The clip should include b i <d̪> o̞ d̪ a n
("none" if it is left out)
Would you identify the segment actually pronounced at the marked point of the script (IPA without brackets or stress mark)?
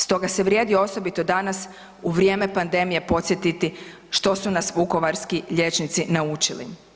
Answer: t̪